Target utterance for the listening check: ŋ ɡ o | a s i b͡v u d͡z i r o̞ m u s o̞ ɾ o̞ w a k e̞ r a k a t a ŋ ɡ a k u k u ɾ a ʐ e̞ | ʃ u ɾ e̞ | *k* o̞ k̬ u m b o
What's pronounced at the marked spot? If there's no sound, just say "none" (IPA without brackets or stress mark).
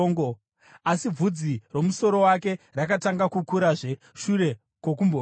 k